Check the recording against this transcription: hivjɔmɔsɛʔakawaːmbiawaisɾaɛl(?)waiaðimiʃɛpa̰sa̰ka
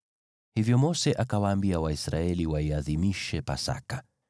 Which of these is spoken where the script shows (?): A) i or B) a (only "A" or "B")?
A